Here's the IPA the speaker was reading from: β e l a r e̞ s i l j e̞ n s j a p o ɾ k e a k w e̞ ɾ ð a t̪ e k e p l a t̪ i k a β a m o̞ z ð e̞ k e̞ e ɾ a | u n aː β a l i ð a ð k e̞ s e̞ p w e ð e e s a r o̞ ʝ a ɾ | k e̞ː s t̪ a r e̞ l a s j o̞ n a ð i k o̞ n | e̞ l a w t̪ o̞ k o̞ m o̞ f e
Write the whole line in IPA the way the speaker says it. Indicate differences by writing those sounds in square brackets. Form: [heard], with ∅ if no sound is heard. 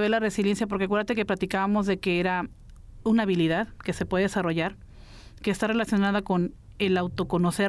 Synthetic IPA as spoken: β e l a r e̞ s i l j e̞ n s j a p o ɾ k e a k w e̞ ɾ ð a t̪ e k e p l a t̪ i k a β a m o̞ z ð e̞ k e̞ e ɾ a | u n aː β [i] l i ð a ð k e̞ s e̞ p w e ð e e s a r o̞ ʝ a ɾ | k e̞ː s t̪ a r e̞ l a s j o̞ n a ð [a] k o̞ n | e̞ l a w t̪ o̞ k o̞ [n] o̞ [s] e